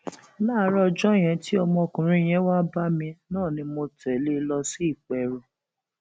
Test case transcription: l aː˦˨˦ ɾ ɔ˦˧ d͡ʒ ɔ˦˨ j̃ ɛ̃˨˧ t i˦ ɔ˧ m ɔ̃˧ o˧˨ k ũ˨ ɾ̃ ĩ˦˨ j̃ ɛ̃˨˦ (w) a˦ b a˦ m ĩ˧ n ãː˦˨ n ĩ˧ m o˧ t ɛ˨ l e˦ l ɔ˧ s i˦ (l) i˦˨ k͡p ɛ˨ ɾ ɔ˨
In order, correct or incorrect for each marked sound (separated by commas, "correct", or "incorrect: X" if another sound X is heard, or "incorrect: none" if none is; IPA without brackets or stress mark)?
correct, incorrect: none